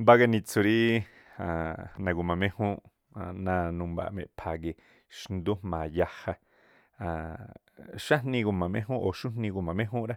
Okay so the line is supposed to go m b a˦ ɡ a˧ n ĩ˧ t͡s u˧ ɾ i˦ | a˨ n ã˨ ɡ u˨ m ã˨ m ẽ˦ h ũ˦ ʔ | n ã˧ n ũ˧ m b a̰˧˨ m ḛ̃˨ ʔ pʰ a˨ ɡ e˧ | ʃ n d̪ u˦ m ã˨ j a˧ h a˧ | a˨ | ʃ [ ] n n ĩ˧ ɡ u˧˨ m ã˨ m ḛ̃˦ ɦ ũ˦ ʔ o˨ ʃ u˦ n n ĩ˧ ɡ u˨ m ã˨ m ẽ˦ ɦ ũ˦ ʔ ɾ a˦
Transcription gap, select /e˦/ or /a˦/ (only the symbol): a˦